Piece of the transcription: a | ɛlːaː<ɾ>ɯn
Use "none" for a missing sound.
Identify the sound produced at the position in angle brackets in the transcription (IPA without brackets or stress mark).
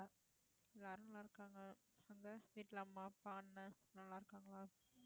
ɾ